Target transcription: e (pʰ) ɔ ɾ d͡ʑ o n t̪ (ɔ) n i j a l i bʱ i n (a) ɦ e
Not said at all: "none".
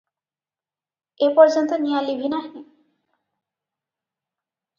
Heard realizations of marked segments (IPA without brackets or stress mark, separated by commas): p, o, a